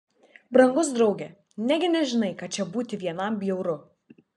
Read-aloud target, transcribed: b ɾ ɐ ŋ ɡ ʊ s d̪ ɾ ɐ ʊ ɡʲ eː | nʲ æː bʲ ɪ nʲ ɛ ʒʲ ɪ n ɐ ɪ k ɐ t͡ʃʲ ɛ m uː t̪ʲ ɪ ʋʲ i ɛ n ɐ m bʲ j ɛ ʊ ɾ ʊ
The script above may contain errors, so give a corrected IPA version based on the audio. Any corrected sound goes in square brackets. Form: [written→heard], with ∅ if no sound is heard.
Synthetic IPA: b ɾ ɐ ŋ ɡ ʊ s d̪ ɾ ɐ ʊ ɡʲ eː | nʲ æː [bʲ→ɡʲ] ɪ nʲ ɛ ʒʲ ɪ n ɐ ɪ k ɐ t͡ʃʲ ɛ [m→b] uː t̪ʲ ɪ ʋʲ i ɛ n ɐ m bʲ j ɛ ʊ ɾ ʊ